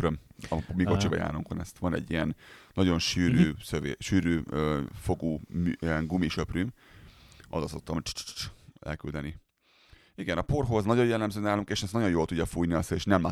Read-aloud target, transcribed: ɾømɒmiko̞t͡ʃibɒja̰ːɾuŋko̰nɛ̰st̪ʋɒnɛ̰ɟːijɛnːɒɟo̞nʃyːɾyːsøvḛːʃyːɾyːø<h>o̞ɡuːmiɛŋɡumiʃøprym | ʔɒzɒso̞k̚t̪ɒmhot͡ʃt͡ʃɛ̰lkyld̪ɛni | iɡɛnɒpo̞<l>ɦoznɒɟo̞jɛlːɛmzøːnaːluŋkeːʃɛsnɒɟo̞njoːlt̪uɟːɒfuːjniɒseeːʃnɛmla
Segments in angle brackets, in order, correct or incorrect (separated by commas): incorrect, incorrect